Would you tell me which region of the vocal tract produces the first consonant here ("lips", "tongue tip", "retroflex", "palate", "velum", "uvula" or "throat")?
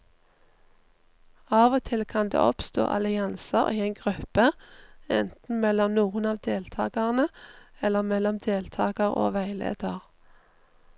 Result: lips